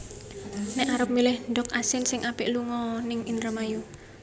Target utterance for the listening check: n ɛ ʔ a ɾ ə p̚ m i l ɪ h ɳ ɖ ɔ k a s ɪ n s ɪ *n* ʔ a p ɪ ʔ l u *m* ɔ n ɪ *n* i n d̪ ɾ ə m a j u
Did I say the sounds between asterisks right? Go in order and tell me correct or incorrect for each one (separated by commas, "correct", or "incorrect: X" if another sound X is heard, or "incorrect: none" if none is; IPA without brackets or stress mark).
incorrect: ŋ, incorrect: ŋ, incorrect: ŋ